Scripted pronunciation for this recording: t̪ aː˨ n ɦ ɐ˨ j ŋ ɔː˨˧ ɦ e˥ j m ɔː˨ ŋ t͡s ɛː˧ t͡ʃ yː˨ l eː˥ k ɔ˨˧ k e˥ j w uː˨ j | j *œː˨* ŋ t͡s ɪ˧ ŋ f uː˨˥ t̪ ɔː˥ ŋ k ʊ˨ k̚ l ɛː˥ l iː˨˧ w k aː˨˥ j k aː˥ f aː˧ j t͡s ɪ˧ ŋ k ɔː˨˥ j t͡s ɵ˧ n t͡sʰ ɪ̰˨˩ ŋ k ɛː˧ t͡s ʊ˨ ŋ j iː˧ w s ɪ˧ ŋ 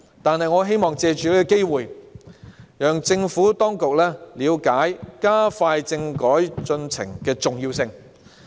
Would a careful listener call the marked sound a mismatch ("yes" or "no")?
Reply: no